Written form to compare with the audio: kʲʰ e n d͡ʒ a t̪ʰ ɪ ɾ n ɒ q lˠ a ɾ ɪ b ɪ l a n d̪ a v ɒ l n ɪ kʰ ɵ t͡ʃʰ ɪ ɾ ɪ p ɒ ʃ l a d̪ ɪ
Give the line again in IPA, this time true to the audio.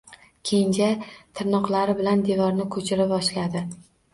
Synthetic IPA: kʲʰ e n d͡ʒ a t̪ʰ ɪ ɾ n ɒ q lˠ a ɾ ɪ b ɪ l a n d̪ e v ɒ ɾ n ɪ kʰ ɵ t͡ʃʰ ɪ ɾ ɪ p ɒ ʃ l a d̪ ɪ